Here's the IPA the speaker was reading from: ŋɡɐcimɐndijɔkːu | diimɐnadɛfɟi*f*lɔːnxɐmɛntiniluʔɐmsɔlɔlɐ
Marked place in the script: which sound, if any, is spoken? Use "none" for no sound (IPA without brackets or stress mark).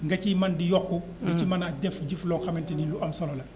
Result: f